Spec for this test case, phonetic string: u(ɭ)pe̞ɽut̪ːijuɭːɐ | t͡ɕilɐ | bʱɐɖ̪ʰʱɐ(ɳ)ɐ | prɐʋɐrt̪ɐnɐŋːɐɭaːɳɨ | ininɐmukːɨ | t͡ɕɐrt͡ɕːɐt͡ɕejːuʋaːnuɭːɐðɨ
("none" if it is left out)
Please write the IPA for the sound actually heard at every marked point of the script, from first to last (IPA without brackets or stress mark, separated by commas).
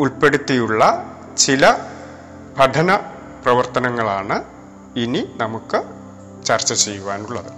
ɭ, n